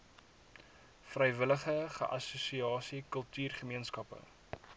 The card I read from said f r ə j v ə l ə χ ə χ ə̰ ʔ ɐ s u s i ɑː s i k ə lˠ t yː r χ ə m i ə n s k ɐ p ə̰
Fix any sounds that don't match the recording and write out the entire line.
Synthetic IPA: f r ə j v ə l ə χ ə χ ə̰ ʔ ɐ s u s i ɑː s i k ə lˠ t yː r χ ə m i ə n s k ɐ p ə̰